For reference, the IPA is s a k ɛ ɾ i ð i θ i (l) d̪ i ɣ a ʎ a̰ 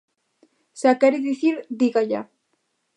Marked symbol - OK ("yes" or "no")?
no